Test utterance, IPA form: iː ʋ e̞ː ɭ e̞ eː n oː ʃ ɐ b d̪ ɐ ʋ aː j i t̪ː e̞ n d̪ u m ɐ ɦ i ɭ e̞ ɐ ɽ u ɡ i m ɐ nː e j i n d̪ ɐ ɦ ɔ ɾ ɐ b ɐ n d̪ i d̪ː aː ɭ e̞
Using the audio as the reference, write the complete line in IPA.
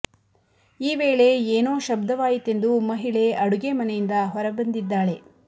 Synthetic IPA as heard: iː ʋ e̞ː ɭ e̞ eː n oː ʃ ɐ b d̪ ɐ ʋ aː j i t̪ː e̞ n d̪ u m ɐ ɦ i ɭ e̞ ɐ ɽ u ɡ e m ɐ n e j i n d̪ ɐ ɦ ɔ ɾ ɐ b ɐ n d̪ i d̪ː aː ɭ e̞